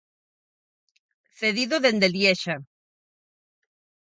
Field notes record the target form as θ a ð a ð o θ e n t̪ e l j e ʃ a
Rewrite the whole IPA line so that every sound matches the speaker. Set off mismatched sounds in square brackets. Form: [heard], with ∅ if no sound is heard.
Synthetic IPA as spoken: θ [e] ð [i] ð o [ð] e n [d̪] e l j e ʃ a